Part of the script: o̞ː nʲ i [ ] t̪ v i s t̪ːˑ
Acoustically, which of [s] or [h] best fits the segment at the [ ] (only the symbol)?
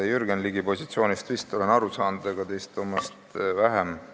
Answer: s